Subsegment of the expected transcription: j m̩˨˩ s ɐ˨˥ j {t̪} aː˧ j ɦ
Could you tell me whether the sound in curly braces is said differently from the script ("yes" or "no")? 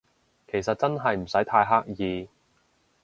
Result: yes